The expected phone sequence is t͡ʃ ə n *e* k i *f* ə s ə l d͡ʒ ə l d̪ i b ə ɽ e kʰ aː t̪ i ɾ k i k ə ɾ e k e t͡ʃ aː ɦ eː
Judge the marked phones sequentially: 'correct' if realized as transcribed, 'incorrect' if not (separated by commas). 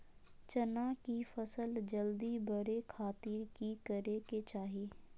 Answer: incorrect, correct